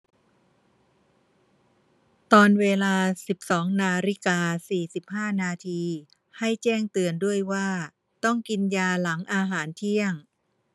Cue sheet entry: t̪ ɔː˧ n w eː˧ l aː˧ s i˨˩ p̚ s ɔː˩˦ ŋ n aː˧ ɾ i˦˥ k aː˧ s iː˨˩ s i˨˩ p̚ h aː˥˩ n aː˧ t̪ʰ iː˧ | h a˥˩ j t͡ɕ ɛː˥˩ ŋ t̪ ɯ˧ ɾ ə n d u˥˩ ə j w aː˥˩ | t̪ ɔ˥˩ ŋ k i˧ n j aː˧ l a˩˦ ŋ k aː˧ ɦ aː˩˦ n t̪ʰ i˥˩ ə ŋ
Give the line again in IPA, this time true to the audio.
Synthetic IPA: t̪ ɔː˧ n w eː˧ l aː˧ s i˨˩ p̚ s ɔː˩˦ ŋ n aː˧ ɾ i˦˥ k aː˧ s iː˨˩ s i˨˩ p̚ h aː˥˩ n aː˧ t̪ʰ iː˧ | h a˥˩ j t͡ɕ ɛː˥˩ ŋ t̪ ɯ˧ ə n d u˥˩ ə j w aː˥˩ | t̪ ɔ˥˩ ŋ k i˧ n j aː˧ l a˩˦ ŋ ʔ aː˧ ɦ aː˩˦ n t̪ʰ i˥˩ ə ŋ